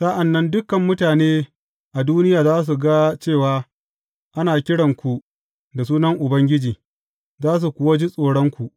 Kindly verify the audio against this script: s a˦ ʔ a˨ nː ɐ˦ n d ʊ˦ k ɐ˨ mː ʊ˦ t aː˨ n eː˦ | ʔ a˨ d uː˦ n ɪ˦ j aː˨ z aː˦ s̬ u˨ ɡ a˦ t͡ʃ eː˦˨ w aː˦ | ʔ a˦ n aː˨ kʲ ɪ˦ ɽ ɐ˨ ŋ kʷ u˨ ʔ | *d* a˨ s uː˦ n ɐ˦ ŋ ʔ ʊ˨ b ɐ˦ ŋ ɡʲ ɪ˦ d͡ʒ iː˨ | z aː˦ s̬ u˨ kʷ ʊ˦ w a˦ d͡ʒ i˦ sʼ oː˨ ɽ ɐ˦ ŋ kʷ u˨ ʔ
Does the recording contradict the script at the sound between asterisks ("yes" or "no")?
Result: no